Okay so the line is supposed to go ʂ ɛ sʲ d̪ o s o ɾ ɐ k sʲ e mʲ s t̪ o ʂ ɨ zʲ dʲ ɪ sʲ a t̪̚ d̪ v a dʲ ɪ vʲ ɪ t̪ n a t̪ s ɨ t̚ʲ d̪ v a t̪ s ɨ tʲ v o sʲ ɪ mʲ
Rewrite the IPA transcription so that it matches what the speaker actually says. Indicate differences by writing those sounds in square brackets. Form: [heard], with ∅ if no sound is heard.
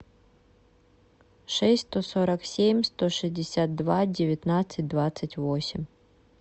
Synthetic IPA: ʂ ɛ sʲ [t̪] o s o ɾ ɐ k sʲ e mʲ s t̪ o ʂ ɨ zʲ dʲ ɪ sʲ a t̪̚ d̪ v a dʲ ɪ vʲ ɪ t̪ n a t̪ s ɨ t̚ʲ d̪ v a t̪ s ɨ tʲ v o sʲ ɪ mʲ

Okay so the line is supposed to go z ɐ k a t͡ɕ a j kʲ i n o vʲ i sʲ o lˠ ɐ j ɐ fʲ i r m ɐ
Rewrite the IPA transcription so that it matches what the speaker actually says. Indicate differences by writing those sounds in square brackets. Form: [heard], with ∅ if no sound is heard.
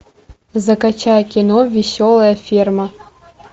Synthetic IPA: z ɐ k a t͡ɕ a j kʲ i n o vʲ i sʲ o lˠ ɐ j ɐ fʲ i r m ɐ

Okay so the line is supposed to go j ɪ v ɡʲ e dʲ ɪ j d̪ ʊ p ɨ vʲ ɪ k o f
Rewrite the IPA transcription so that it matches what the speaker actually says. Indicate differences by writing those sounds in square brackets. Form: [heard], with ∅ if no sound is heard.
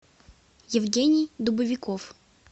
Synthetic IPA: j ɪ v ɡʲ e [nʲ] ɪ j d̪ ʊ [b] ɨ vʲ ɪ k o f

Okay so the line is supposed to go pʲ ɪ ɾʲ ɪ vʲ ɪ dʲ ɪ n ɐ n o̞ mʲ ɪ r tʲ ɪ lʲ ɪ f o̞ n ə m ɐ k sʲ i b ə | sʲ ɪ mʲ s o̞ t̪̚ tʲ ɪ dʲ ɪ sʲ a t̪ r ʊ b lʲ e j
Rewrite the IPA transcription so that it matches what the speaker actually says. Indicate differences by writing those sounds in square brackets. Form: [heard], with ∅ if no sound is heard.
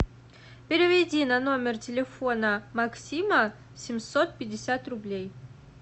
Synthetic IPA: pʲ ɪ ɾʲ ɪ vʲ ɪ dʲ [i] n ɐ n o̞ mʲ ɪ r tʲ ɪ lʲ ɪ f o̞ n ə m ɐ k sʲ i [m] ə | sʲ ɪ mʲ s o̞ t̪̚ [pʲ] ɪ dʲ ɪ sʲ a t̪ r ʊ b lʲ e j

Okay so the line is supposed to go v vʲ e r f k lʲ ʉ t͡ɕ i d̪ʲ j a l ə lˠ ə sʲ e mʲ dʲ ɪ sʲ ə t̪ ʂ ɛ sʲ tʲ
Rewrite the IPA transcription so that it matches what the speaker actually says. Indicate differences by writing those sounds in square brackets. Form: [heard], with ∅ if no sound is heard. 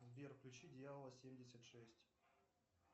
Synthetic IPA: v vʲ e r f k lʲ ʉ t͡ɕ i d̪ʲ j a l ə lˠ ə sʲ e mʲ dʲ ɪ sʲ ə t̪ ʂ ɛ sʲ tʲ

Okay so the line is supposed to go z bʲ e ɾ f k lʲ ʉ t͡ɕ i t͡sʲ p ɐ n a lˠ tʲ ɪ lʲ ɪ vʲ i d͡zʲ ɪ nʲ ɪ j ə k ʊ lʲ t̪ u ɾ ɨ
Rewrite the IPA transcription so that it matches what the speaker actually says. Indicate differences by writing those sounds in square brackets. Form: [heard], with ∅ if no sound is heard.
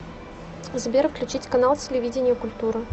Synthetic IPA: z bʲ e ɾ f k lʲ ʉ t͡ɕ i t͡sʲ [k] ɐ n a lˠ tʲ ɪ lʲ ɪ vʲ i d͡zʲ ɪ nʲ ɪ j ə k ʊ lʲ t̪ u ɾ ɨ

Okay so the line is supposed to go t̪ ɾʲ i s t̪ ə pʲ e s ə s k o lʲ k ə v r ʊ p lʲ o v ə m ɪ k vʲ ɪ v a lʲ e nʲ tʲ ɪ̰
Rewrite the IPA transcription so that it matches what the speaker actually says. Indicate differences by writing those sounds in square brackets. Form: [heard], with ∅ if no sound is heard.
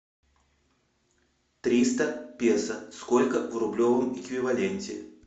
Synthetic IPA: t̪ ɾʲ i s t̪ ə pʲ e s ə s k o lʲ k ə v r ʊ [b] lʲ o v ə m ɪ k vʲ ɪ v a lʲ e nʲ tʲ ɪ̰

